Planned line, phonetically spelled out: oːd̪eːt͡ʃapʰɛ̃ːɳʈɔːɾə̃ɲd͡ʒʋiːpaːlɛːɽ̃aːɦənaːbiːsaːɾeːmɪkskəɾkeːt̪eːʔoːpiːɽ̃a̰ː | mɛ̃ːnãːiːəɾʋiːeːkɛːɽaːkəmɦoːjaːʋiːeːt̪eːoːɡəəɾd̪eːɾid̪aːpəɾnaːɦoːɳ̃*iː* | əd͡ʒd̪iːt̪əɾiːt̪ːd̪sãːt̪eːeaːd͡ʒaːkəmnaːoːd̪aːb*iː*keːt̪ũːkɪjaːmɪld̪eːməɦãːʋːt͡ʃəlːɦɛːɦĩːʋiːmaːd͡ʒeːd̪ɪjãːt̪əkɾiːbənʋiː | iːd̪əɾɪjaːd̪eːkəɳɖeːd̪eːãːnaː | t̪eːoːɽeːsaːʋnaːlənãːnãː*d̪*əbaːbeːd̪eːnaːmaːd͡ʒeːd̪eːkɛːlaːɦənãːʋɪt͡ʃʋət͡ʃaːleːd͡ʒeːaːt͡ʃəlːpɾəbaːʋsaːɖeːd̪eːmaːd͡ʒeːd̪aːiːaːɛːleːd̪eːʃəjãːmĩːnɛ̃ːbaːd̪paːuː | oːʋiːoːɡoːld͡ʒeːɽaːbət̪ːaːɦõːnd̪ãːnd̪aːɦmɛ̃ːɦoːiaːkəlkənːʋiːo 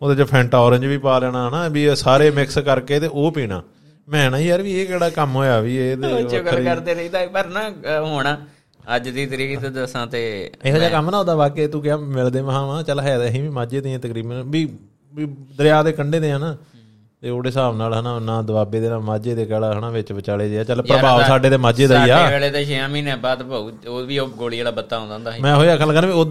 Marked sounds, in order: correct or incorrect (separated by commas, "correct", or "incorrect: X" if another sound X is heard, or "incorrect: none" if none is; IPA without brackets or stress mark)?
incorrect: aː, incorrect: aː, correct